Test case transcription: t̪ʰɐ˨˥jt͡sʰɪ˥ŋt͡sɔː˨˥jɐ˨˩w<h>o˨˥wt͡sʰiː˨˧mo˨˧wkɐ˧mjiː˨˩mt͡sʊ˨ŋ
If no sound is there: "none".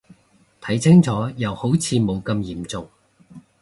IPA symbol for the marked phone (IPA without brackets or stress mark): h